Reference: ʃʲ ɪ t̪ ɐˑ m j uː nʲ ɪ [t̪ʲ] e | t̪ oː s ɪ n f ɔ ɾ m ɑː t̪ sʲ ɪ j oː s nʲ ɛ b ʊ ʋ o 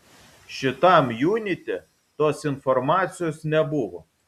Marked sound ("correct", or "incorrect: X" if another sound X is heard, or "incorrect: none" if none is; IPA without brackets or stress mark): correct